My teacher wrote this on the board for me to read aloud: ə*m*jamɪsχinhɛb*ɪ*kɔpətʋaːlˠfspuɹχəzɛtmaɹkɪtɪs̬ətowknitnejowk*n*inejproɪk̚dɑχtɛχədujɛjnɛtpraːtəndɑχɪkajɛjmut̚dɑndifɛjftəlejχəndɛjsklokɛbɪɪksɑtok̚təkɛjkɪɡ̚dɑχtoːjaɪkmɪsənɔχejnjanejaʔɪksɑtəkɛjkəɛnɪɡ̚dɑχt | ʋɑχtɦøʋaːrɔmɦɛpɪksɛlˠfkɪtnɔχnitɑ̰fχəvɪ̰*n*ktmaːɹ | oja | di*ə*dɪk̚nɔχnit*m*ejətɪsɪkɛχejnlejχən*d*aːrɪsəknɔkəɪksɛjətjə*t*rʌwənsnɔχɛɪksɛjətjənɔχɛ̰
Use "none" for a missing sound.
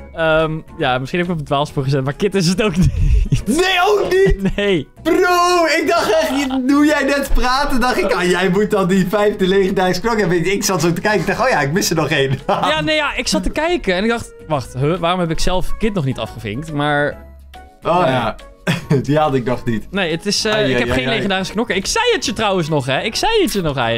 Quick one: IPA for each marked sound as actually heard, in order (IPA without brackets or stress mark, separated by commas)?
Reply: m, ɪ, n, ŋ, ɑ, n, d, t